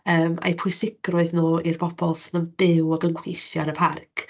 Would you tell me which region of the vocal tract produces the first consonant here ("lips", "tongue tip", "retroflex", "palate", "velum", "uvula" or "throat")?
lips